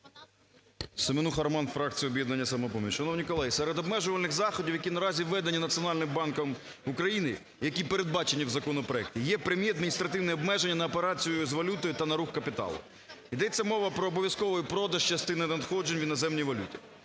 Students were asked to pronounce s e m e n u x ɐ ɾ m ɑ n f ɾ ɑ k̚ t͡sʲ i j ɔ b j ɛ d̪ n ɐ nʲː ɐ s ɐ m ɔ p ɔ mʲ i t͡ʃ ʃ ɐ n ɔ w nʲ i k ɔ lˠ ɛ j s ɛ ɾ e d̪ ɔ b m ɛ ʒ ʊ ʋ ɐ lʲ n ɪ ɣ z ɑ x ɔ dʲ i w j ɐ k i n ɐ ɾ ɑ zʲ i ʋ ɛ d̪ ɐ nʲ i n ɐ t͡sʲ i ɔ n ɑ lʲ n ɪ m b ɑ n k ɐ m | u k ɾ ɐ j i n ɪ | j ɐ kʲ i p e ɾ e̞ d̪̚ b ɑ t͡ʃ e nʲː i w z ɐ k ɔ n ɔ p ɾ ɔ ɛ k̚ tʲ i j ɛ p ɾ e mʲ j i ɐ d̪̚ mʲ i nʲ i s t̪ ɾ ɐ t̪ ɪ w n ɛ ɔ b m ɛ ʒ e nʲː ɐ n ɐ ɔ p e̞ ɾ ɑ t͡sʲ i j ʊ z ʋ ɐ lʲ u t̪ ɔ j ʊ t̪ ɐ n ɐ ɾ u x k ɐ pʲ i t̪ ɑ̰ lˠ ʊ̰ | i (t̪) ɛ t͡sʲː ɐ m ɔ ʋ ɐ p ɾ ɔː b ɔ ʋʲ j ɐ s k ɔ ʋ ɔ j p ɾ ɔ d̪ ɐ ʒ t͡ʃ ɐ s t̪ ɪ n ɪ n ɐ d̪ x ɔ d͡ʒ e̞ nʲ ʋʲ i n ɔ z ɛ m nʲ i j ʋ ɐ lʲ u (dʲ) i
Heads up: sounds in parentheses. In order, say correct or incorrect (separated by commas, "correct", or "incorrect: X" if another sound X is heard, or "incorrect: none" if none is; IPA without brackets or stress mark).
incorrect: d̪, incorrect: tʲ